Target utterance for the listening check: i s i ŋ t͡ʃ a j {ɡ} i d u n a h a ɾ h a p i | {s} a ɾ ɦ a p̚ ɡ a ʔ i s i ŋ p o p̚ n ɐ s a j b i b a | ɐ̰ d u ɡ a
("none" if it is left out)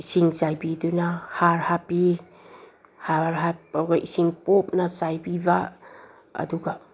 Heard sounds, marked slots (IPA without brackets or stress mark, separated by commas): b, h